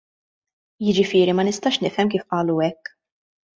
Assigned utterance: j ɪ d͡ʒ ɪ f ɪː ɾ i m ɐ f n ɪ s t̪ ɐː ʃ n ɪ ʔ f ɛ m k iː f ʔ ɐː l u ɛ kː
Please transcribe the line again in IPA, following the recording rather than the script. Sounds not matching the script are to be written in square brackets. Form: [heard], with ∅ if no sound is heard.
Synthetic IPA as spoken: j ɪ d͡ʒ ɪ f ɪː ɾ i m ɐ [∅] n ɪ s t̪ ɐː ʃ n ɪ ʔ f ɛ m k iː f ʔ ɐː l u ɛ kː